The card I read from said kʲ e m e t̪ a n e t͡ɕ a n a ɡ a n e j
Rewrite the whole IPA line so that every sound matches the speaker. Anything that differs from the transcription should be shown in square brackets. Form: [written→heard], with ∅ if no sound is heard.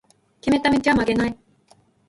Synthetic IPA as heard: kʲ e m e t̪ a [n→m] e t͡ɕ a [n→m] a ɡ [a→e] n [e→a] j